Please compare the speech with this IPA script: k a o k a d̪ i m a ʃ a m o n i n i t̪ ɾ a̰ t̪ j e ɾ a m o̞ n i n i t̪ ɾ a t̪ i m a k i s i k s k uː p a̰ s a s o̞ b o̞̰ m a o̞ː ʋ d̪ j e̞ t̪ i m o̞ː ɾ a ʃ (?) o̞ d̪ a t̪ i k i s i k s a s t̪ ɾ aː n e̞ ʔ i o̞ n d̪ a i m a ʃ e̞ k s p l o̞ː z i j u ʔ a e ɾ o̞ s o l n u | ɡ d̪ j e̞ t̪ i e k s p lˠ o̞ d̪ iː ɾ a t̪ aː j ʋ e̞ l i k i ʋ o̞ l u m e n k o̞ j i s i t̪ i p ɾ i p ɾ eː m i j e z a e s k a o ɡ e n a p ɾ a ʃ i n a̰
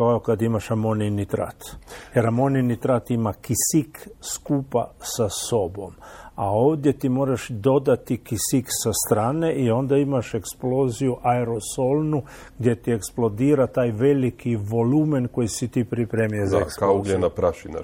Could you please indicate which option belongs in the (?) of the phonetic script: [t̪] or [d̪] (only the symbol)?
d̪